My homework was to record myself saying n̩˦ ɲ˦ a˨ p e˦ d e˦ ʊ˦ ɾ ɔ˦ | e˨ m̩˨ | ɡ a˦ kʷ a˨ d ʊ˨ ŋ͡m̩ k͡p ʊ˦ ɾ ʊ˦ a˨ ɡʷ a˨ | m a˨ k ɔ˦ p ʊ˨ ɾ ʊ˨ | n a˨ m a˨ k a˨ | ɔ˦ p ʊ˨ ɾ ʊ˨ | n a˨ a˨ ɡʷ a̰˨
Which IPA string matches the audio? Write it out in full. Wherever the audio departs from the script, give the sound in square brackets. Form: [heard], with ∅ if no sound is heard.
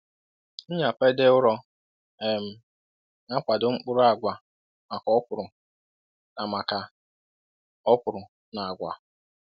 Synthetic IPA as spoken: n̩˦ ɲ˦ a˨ p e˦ d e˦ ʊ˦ ɾ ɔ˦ | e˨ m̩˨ | [ŋ] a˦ kʷ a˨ d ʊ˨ ŋ͡m̩ k͡p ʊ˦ ɾ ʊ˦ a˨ ɡʷ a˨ | m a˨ k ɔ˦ p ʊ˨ ɾ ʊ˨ | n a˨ m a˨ k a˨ | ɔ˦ p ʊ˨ ɾ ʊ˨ | n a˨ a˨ ɡʷ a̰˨